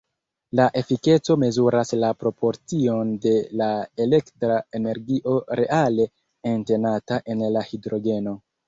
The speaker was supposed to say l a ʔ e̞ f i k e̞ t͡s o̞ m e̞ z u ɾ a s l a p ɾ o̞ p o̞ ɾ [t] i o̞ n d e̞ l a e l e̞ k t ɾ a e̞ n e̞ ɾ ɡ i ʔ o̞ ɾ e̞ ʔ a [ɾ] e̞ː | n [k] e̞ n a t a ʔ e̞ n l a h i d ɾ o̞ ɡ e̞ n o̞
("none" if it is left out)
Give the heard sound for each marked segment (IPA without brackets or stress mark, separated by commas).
t͡s, l, t